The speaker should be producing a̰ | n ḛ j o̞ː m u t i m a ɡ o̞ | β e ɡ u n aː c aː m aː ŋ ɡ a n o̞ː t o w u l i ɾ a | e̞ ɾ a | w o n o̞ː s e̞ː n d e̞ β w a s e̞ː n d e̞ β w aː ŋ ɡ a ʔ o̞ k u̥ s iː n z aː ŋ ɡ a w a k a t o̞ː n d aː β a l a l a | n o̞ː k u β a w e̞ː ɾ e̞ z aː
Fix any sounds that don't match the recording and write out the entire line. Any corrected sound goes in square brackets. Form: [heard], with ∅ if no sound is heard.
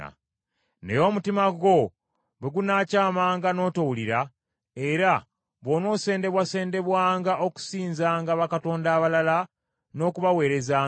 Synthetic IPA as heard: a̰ | n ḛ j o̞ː m u t i m a ɡ o̞ | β e ɡ u n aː c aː m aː ŋ ɡ a n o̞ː t o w u l i ɾ a | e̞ ɾ a | [β] o n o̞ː s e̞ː n d e̞ β w a s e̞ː n d e̞ β w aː ŋ ɡ a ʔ o̞ k u̥ s iː n z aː ŋ ɡ a [β] a k a t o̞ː n d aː β a l a l a | n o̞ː k u β a w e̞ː ɾ e̞ z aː